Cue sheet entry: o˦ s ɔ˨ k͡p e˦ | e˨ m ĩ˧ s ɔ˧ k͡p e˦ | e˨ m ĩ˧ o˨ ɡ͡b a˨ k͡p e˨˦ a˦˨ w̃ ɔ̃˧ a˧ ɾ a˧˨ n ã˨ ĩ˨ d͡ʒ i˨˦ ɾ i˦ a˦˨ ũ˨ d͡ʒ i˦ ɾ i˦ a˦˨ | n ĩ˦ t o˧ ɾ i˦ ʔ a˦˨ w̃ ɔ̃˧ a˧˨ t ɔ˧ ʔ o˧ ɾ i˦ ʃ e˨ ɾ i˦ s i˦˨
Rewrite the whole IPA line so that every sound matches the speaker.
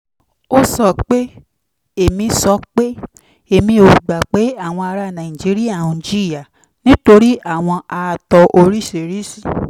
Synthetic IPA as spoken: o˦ s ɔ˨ k͡p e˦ | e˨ m ĩ˧ s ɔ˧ k͡p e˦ | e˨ m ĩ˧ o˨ ɡ͡b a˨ k͡p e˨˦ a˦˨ w̃ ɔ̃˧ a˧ ɾ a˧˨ n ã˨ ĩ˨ d͡ʒ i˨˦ ɾ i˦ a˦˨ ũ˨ d͡ʒ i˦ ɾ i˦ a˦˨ | n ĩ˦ t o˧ ɾ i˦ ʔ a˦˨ w̃ ɔ̃˧ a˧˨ t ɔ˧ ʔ o˧ ɾ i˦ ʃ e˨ ɾ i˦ s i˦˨